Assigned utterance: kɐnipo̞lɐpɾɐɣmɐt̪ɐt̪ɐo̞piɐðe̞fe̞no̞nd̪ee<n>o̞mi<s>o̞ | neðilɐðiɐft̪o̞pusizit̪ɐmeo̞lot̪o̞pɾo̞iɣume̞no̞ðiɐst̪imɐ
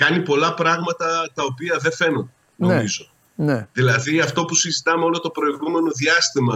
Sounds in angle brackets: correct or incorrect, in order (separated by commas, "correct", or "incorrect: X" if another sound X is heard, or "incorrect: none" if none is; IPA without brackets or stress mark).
correct, incorrect: z